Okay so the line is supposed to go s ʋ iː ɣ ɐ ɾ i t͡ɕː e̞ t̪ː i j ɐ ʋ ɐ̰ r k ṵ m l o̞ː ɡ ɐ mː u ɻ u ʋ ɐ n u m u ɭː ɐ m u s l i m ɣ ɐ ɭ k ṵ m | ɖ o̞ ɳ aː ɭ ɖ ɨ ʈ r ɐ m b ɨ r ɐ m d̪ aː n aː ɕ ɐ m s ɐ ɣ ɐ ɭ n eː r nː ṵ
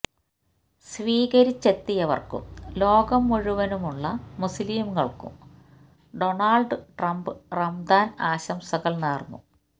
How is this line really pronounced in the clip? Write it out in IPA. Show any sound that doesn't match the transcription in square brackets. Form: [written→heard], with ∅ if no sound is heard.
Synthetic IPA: s ʋ iː ɣ ɐ ɾ i t͡ɕː e̞ t̪ː i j ɐ ʋ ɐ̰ r k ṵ m l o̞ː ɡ ɐ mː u ɻ u ʋ ɐ n u m u ɭː ɐ m u s l i m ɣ ɐ ɭ k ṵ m | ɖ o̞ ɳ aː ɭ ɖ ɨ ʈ r ɐ m b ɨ r ɐ m d̪ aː n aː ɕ ɐ m s ɐ ɣ ɐ ɭ n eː r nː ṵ